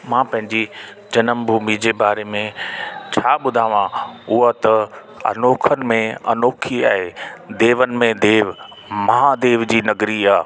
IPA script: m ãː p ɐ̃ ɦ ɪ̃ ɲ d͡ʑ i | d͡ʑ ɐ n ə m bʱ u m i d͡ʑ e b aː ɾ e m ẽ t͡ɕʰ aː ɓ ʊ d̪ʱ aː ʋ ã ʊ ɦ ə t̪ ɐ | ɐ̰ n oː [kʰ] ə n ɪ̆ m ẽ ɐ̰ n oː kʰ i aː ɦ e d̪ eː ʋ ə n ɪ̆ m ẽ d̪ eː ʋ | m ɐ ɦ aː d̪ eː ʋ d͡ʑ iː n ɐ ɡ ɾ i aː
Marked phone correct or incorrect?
correct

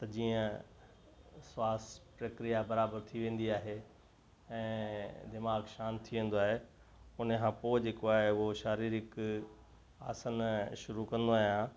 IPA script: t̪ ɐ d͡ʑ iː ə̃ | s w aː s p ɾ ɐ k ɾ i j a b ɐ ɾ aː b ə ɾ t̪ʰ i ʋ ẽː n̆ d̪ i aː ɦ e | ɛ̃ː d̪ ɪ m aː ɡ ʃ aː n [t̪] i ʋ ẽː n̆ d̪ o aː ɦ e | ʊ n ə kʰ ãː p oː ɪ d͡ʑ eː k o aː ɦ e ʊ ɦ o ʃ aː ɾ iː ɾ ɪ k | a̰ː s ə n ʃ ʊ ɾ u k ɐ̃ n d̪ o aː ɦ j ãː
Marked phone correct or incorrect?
incorrect: t̪ʰ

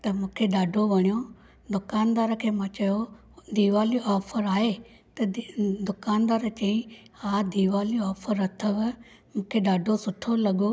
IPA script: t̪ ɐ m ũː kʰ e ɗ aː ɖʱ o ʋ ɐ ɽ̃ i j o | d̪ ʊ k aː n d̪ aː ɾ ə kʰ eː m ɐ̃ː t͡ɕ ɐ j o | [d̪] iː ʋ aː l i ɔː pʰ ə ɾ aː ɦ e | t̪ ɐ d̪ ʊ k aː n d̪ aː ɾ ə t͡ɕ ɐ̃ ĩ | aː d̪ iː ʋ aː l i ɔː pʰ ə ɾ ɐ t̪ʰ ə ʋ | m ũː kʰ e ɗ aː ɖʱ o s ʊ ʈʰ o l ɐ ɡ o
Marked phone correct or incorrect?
correct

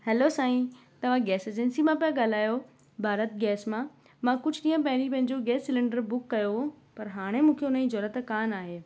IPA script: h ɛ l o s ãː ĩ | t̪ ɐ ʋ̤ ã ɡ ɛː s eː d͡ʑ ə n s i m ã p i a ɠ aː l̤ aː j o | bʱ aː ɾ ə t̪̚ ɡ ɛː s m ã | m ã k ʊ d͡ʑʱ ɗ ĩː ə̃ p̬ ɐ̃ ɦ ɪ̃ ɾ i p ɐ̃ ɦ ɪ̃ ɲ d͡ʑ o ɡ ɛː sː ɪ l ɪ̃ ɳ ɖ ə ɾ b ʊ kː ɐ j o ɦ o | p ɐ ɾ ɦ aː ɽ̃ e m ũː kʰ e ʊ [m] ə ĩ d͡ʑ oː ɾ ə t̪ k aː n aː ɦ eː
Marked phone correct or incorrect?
incorrect: n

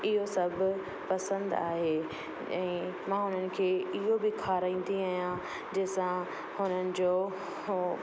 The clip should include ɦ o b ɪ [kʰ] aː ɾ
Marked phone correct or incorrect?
correct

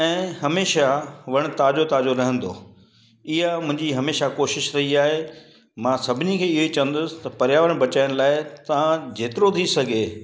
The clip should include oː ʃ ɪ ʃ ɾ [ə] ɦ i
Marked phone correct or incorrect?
incorrect: ɐ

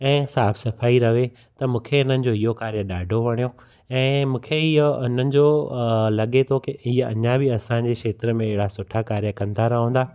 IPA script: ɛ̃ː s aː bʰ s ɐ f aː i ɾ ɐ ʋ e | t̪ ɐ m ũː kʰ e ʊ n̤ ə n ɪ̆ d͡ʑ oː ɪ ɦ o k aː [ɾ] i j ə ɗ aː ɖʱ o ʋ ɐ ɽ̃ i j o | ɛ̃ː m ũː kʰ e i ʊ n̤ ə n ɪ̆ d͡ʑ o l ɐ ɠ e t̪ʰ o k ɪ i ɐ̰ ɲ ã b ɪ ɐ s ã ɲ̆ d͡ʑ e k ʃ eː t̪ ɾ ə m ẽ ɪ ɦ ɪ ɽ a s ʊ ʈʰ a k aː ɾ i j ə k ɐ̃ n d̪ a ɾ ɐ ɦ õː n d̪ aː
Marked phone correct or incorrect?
correct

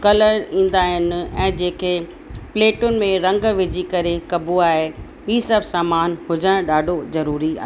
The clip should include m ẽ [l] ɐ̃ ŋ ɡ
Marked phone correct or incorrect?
incorrect: ɾ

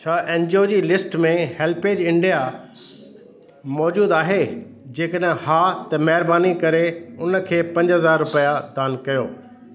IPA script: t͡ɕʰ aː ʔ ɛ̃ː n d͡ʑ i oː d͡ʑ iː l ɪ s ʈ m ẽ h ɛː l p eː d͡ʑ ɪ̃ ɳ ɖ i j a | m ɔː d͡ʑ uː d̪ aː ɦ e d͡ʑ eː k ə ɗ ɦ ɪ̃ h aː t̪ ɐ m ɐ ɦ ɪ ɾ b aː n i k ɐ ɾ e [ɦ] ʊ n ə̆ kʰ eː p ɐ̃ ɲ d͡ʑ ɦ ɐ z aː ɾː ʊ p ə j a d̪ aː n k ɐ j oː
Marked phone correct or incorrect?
incorrect: none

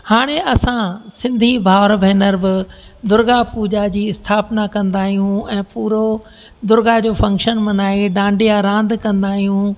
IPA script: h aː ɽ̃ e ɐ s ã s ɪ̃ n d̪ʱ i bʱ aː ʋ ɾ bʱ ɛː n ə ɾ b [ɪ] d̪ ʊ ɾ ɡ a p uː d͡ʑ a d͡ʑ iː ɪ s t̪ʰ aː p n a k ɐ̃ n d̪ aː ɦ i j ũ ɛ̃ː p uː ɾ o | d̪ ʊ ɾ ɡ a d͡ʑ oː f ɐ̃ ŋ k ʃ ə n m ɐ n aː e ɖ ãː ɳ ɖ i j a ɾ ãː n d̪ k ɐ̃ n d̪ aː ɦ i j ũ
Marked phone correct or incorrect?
correct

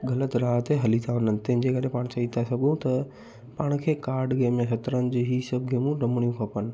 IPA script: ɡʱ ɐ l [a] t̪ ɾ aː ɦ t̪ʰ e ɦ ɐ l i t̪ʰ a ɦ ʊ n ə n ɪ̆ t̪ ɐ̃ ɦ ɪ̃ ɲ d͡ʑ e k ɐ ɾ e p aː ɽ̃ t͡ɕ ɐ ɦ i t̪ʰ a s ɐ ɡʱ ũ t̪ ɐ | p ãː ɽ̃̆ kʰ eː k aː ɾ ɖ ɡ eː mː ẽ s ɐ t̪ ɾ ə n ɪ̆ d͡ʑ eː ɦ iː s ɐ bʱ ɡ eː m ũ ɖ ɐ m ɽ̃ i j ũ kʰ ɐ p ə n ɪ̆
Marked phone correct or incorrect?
incorrect: ə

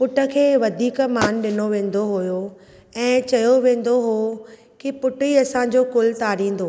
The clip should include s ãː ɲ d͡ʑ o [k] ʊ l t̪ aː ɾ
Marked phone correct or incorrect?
correct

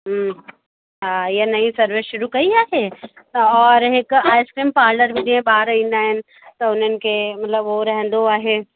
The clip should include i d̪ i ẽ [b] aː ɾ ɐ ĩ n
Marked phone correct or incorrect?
correct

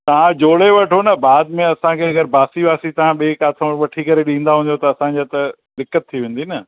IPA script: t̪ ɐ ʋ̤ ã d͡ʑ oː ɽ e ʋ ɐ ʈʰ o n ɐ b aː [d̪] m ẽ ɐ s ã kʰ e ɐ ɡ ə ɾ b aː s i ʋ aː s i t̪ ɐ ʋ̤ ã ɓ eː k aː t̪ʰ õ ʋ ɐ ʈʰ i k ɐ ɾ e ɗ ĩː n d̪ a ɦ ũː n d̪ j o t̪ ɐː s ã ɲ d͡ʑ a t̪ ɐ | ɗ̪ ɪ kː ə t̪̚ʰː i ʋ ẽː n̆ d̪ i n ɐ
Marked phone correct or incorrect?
correct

